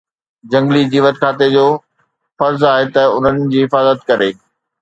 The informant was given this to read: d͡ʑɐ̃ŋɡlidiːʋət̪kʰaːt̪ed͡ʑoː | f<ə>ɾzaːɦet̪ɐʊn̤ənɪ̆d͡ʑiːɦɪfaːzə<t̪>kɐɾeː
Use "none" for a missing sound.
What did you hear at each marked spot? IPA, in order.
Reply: ɐ, t̪

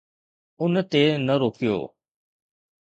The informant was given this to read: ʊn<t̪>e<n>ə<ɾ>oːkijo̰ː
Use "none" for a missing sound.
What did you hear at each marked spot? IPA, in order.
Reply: t̪, n, ɾ

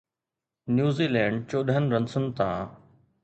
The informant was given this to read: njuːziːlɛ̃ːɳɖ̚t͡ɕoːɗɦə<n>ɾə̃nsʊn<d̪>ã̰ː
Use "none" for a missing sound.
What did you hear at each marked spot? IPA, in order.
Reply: n, t̪

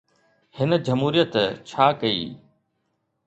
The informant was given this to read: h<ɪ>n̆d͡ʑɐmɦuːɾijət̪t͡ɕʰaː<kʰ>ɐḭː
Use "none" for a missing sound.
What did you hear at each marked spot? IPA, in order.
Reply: ɪ, k

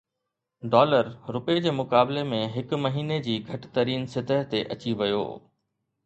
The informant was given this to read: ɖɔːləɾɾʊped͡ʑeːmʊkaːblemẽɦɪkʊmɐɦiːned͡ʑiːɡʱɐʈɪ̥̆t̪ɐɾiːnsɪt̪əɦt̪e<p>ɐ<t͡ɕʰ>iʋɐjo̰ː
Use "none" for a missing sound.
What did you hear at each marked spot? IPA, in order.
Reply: ʔ, t͡ɕ

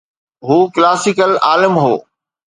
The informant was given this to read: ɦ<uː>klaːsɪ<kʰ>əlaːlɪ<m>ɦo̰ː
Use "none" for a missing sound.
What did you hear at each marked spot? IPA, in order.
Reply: uː, k, m

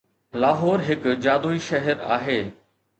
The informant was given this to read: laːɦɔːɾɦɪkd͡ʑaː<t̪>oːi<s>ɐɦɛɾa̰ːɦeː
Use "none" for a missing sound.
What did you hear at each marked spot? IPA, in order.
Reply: d̪, ʃ

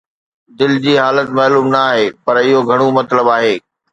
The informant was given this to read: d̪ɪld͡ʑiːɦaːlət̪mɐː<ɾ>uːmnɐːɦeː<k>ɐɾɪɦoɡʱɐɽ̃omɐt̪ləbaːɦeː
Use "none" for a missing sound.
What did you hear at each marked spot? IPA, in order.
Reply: l, p

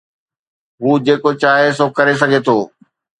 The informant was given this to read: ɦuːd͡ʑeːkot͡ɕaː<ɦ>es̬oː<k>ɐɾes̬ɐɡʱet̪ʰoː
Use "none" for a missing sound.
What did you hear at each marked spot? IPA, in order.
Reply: ɦ, k

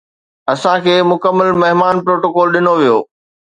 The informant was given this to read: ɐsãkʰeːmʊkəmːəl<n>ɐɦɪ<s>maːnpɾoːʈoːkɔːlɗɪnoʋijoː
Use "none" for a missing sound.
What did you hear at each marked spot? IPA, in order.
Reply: m, none

